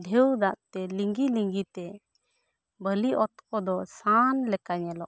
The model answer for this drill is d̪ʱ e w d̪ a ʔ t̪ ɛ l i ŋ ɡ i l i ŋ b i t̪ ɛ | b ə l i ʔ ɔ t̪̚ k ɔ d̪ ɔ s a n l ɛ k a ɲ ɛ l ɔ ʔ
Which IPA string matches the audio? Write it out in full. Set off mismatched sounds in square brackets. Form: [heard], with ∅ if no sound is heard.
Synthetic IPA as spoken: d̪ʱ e w d̪ a ʔ t̪ ɛ l i ŋ ɡ i l i ŋ [ɡ] i t̪ ɛ | b ə l i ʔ ɔ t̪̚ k ɔ d̪ ɔ s a n l ɛ k a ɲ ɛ l ɔ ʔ